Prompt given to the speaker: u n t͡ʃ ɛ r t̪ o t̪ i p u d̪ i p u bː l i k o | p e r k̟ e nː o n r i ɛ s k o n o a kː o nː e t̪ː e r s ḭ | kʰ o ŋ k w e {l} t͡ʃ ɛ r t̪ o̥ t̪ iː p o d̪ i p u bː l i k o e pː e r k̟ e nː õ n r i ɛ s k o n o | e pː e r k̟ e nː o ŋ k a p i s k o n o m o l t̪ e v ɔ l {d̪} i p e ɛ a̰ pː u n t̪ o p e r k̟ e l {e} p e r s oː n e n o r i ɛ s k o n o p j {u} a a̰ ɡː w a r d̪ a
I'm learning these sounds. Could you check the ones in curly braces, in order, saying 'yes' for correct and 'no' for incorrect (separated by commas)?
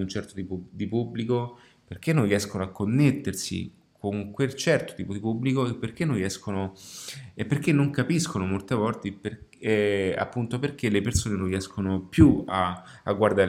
yes, no, yes, yes